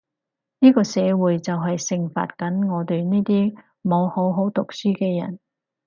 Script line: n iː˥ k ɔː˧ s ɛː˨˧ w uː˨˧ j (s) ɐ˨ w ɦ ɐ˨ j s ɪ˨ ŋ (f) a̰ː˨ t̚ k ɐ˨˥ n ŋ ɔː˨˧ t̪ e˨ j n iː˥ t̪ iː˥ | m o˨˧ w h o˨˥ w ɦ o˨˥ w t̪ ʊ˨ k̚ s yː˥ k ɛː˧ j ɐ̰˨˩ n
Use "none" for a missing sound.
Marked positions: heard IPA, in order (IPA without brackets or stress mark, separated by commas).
t͡s, f